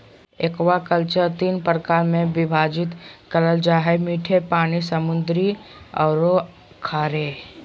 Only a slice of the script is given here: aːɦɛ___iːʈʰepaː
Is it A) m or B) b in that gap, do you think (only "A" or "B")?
A